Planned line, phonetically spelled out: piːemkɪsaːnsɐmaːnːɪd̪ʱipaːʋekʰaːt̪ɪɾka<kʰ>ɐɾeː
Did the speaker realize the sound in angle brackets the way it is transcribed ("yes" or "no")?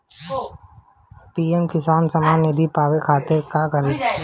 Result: no